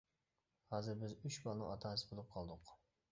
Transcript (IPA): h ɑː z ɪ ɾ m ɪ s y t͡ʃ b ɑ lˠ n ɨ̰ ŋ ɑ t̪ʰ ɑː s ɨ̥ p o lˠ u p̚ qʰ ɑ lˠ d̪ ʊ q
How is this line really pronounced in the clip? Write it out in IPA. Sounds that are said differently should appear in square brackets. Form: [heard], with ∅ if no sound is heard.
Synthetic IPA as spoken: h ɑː z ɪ ɾ [b] ɪ [z] y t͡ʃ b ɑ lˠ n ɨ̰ ŋ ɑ t̪ʰ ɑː s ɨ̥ [b] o lˠ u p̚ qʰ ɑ lˠ d̪ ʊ q